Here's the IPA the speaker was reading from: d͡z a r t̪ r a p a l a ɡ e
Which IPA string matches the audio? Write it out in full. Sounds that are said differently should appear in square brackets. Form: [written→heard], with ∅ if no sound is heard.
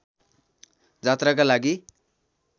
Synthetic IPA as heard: d͡z a [r→∅] t̪ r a [p→k] a l a ɡ [e→i]